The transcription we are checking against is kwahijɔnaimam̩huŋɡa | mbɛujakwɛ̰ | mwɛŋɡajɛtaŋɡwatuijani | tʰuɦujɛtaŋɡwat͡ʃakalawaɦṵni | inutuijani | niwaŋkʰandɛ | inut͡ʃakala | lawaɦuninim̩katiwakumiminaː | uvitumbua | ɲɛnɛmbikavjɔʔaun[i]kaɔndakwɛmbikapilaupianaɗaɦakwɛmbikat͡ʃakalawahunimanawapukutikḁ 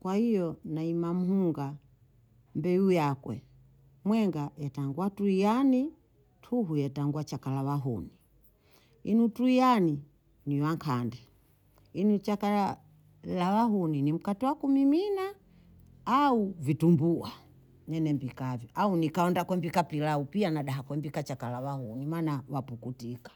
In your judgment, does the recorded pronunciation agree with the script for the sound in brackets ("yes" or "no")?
yes